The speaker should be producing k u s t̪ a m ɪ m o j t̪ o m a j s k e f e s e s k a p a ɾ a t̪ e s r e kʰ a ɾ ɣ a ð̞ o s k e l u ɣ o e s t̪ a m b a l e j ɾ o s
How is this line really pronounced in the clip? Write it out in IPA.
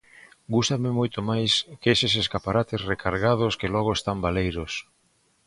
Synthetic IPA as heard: ɡ u s t̪ a m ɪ m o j t̪ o m a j s k e s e s e s k a p a ɾ a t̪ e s r e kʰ a ɾ ɣ a ð̞ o s k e l ɔ ɣ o e s t̪ a m b a l e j ɾ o s